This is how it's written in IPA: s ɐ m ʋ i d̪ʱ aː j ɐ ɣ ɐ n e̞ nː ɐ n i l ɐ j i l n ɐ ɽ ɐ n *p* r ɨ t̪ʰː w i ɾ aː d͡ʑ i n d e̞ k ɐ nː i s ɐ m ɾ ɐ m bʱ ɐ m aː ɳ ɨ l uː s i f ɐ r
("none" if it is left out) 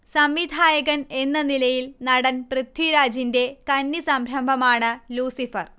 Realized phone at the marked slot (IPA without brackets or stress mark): p